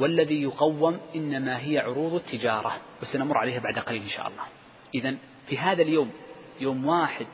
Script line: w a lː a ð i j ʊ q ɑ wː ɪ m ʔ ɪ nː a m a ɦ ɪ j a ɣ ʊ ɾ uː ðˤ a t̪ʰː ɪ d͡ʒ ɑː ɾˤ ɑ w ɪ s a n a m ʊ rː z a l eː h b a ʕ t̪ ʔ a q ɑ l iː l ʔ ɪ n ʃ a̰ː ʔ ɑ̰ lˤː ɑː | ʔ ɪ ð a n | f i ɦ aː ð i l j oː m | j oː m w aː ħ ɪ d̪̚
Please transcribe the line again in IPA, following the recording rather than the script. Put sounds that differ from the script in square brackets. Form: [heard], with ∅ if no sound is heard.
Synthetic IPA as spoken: w a lː a ð i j ʊ q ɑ wː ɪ m ʔ ɪ nː a m a ɦ ɪ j a [ʕ] ʊ ɾ uː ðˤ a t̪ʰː ɪ d͡ʒ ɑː ɾˤ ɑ w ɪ s a n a m ʊ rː [ʕ] a l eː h b a ʕ [d̪] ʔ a q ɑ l iː l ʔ ɪ n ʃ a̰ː ʔ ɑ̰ lˤː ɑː | ʔ ɪ ð a n | f i ɦ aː ð [a] l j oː m | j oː m w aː ħ ɪ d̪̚